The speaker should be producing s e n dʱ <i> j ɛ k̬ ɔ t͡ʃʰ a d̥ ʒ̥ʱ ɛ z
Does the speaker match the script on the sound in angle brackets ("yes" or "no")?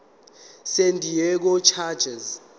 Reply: yes